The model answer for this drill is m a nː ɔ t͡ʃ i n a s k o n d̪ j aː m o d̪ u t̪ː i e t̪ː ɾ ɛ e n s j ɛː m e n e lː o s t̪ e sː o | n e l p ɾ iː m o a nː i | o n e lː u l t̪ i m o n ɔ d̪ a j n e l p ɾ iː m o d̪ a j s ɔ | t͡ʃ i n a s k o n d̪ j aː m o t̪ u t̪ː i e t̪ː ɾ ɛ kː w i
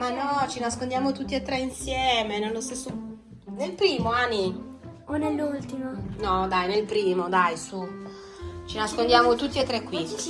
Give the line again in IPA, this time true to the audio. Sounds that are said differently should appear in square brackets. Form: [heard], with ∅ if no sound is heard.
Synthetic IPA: m a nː ɔ t͡ʃ i n a s k o n d̪ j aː m o [t̪] u t̪ː i e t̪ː ɾ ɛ [i] n s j ɛː m e n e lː o s t̪ e sː o | n e l p ɾ iː m o a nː i | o n e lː u l t̪ i m o n ɔ d̪ a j n e l p ɾ iː m o d̪ a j s [u] | t͡ʃ i n a s k o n d̪ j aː m o t̪ u t̪ː i e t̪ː ɾ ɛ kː w i